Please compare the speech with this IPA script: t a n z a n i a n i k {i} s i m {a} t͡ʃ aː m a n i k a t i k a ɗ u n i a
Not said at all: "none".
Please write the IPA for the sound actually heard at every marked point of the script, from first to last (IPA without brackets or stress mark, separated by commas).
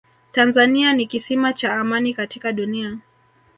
i, a